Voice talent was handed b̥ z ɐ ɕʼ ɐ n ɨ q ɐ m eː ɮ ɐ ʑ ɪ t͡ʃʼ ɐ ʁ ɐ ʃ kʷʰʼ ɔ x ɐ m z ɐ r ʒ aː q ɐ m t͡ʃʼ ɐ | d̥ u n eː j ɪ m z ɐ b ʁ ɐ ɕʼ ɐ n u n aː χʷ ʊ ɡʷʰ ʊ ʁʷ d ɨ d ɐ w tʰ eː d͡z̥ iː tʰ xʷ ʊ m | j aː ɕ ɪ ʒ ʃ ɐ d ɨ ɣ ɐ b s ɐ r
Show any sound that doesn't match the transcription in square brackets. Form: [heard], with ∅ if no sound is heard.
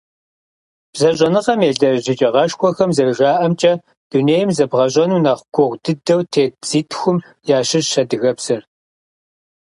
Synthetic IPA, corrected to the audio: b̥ z ɐ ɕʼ ɐ n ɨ q ɐ m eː ɮ ɐ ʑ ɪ t͡ʃʼ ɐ ʁ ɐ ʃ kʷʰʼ ɔ x ɐ m z ɐ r ʒ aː [ʔ] ɐ m t͡ʃʼ ɐ | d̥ u n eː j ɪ m z ɐ b ʁ ɐ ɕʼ ɐ n u n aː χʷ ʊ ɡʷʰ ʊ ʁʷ d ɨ d ɐ w tʰ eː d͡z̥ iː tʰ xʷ ʊ m | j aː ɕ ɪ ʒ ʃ ɐ d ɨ ɣ ɐ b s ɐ r